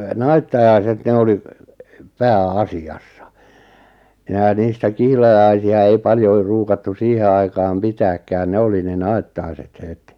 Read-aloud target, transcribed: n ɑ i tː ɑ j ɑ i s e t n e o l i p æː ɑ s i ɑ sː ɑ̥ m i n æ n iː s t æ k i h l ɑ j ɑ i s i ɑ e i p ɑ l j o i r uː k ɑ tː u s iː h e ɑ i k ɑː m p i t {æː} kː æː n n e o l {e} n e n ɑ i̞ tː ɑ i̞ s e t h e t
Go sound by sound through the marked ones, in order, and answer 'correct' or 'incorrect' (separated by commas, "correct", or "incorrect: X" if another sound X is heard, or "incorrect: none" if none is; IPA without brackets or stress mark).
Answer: correct, incorrect: i